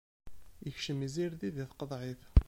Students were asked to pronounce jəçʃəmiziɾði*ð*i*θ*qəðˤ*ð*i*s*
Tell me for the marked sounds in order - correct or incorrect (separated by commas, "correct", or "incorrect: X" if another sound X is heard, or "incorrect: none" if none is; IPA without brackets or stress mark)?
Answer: correct, correct, incorrect: ʕ, incorrect: θ